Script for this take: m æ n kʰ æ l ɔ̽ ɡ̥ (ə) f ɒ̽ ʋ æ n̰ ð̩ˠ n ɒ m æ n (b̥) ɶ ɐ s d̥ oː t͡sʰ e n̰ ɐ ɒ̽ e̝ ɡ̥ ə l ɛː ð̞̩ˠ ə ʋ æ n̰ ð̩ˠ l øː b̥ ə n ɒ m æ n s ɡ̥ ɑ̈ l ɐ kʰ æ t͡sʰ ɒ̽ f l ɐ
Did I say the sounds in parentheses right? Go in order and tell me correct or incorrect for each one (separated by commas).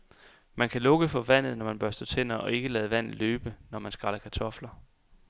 correct, correct